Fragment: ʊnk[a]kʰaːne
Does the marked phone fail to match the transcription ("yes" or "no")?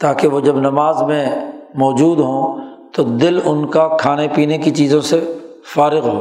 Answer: no